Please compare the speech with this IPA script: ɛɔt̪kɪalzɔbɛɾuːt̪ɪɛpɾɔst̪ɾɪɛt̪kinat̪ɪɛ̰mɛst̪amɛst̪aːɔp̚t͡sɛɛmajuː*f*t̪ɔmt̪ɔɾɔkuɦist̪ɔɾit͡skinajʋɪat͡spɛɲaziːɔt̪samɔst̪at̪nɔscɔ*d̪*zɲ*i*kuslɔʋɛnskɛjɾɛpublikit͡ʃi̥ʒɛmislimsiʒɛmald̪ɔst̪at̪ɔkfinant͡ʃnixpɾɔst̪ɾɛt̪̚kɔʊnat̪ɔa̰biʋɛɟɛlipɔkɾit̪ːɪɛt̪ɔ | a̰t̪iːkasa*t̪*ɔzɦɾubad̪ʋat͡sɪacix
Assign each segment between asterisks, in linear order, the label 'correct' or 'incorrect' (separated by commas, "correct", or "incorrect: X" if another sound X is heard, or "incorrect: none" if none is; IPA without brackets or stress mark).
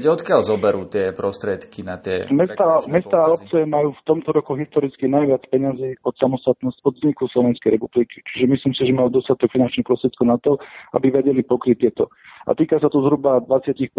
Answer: correct, correct, correct, correct